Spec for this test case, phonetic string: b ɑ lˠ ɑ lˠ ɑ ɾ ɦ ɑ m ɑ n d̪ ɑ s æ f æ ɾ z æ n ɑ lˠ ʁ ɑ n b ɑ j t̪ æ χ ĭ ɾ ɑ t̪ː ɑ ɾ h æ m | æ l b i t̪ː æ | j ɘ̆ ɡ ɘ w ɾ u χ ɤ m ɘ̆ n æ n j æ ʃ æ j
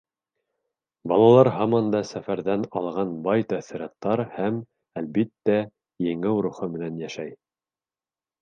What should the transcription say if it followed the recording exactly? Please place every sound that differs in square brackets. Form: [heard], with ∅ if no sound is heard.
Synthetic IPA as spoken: b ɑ lˠ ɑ lˠ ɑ ɾ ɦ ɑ m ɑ n d̪ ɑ s æ f æ ɾ [ð] æ n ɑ lˠ ʁ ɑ n b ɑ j t̪ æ [θ] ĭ ɾ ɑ t̪ː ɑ ɾ h æ m | æ l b i t̪ː æ | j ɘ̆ [ŋ] ɘ w ɾ u χ ɤ m ɘ̆ n æ n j æ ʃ æ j

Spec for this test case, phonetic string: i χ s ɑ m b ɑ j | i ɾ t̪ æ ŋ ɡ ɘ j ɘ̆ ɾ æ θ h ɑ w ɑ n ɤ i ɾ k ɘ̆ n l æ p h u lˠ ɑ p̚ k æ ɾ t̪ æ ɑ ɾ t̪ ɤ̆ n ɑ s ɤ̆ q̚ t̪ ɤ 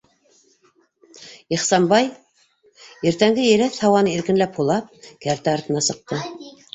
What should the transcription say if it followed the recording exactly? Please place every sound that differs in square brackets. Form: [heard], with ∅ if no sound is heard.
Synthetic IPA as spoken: i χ s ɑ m b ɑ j | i ɾ t̪ æ ŋ ɡ ɘ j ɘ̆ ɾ æ θ h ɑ w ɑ n ɤ i ɾ k ɘ̆ n l æ p h u lˠ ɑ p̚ k æ ɾ t̪ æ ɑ ɾ t̪ ɤ̆ n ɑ s ɤ̆ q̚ t̪ ɤ

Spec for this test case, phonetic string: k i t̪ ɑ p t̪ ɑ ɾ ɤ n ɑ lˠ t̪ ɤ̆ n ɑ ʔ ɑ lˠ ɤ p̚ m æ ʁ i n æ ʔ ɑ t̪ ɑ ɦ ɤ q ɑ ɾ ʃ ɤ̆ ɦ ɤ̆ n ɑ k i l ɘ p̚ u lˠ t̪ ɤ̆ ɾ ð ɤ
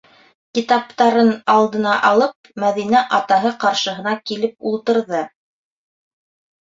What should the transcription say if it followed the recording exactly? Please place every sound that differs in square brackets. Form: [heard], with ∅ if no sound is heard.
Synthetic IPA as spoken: k i t̪ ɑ p t̪ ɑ ɾ ɤ n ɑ lˠ [d̪] ɤ̆ n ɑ ʔ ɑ lˠ ɤ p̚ m æ [ð] i n æ ʔ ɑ t̪ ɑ ɦ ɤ q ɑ ɾ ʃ ɤ̆ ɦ ɤ̆ n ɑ k i l ɘ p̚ u lˠ t̪ ɤ̆ ɾ ð ɤ

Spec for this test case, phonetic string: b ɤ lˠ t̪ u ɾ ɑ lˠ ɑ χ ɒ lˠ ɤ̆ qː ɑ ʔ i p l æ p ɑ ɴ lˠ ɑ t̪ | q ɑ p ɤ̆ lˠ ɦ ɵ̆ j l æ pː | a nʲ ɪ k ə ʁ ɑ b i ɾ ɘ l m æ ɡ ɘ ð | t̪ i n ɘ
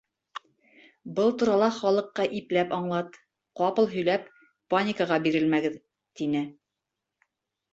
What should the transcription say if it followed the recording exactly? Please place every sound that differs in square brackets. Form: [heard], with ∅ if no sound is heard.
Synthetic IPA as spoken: b ɤ lˠ t̪ u ɾ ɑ lˠ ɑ χ ɒ lˠ ɤ̆ qː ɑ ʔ i p l æ p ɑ ɴ lˠ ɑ t̪ | q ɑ p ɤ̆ lˠ ɦ ɵ̆ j l æ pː | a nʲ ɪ k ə ʁ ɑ b i ɾ ɘ l m æ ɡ ɘ ð | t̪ i n ɘ

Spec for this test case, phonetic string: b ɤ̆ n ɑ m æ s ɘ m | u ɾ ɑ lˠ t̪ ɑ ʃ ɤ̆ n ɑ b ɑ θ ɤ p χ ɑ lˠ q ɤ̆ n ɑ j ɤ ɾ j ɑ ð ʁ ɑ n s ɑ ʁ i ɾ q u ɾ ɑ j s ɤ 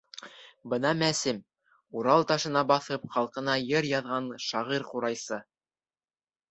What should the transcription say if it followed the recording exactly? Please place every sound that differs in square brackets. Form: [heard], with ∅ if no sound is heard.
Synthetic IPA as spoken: b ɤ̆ n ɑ m æ s ɘ m | u ɾ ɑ lˠ t̪ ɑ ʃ ɤ̆ n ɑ b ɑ θ ɤ p χ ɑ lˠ q ɤ̆ n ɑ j ɤ ɾ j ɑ ð ʁ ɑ n [ʃ] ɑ ʁ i ɾ q u ɾ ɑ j s ɤ

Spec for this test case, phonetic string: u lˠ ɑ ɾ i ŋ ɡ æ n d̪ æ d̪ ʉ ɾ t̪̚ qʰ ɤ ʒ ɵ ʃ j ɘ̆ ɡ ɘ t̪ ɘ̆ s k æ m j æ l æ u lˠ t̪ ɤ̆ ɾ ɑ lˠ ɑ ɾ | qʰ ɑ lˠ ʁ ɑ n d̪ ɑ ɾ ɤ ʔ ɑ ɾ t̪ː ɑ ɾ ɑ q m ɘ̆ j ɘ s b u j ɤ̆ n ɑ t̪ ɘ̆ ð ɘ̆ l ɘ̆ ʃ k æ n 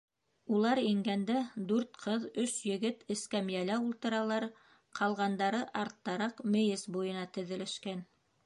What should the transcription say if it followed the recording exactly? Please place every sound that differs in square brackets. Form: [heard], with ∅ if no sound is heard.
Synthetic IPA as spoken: u lˠ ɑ ɾ i ŋ ɡ æ n d̪ æ d̪ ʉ ɾ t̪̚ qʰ ɤ [ð] ɵ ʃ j ɘ̆ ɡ ɘ t̪ ɘ̆ s k æ m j æ l æ u lˠ t̪ ɤ̆ ɾ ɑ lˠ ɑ ɾ | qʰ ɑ lˠ ʁ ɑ n d̪ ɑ ɾ ɤ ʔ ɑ ɾ t̪ː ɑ ɾ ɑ q m ɘ̆ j ɘ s b u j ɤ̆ n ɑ t̪ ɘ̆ ð ɘ̆ l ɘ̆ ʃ k æ n

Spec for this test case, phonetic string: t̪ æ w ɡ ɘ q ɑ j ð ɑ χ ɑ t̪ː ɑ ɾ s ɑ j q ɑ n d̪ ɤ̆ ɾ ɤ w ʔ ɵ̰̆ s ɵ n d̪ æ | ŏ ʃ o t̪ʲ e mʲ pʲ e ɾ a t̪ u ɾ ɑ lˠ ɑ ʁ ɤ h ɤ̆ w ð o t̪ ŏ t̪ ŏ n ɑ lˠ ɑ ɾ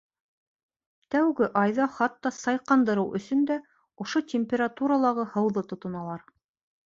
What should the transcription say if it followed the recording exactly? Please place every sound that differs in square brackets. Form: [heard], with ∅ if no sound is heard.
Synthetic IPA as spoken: t̪ æ w ɡ ɘ [ʔ] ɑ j ð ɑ χ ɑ t̪ː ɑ [∅] s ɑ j q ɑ n d̪ ɤ̆ ɾ ɤ w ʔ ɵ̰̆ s ɵ n d̪ æ | ŏ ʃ o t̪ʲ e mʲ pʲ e ɾ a t̪ u ɾ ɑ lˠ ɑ ʁ ɤ h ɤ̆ w ð [ɤ] t̪ ŏ t̪ ŏ n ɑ lˠ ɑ ɾ

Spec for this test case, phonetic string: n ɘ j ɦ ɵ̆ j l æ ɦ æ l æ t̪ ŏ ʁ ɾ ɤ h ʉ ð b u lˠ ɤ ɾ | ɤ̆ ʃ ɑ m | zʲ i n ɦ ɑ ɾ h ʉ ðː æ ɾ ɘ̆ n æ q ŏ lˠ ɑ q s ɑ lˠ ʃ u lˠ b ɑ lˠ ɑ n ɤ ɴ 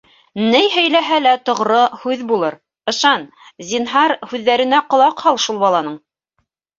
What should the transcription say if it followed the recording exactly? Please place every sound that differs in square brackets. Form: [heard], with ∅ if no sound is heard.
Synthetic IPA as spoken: n ɘ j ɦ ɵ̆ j l æ ɦ æ l æ t̪ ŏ ʁ ɾ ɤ h ʉ ð b u lˠ ɤ ɾ | ɤ̆ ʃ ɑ [n] | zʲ i n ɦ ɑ ɾ h ʉ ðː æ ɾ ɘ̆ n æ q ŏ lˠ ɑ q [h] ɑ lˠ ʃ u lˠ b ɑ lˠ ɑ n ɤ ɴ

